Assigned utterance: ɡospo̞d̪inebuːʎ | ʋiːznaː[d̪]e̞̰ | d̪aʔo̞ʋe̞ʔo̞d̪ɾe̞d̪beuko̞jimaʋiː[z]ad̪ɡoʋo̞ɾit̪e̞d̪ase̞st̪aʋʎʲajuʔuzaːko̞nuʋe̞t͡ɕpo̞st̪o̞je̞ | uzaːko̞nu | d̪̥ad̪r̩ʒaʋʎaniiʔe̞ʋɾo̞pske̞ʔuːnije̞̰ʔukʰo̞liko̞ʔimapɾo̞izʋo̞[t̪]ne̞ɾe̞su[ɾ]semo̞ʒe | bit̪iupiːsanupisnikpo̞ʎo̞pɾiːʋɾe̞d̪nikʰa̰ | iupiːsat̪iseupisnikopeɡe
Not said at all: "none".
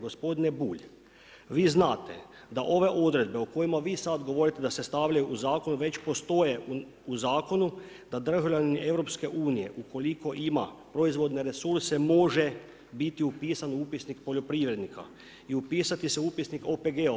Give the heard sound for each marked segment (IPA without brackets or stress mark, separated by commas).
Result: t̪, s, d̪, ɾ